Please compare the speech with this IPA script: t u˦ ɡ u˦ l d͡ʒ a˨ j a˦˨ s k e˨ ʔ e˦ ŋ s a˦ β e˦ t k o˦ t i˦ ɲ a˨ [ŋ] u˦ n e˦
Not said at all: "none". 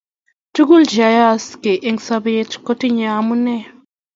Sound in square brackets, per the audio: m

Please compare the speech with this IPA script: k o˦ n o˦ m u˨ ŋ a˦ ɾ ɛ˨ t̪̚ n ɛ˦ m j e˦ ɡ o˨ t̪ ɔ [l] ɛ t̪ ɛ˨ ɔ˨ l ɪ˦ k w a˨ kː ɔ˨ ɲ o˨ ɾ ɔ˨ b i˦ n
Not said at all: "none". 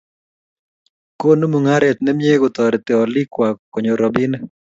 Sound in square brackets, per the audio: ɾ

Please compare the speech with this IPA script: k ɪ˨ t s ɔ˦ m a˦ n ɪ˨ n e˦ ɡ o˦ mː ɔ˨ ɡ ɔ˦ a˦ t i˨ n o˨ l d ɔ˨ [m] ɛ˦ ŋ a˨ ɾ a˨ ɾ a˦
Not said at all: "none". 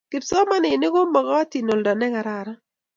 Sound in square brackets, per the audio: n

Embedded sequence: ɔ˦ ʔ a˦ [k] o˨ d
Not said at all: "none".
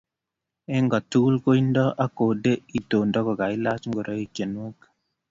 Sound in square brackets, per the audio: k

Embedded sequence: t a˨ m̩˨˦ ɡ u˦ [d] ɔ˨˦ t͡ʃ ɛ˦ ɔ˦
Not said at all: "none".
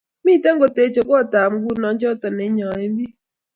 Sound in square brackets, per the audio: n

